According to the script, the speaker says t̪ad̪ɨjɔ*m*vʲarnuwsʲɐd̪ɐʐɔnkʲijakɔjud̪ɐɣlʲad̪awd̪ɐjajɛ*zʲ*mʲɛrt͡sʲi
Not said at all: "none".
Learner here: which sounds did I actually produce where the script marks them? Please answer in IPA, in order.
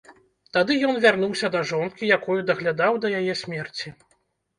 n, sʲ

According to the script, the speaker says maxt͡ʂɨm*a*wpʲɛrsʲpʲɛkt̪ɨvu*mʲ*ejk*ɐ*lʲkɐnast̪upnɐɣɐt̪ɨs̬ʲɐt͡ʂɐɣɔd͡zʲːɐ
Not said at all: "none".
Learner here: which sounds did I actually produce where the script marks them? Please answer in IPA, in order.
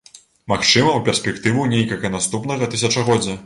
ɐ, nʲ, ɐ

